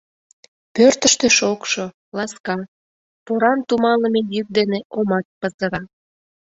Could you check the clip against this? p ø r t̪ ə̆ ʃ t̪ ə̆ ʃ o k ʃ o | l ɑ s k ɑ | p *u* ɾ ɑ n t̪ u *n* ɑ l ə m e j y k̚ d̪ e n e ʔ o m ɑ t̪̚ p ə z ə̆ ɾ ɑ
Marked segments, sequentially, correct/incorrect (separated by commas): incorrect, incorrect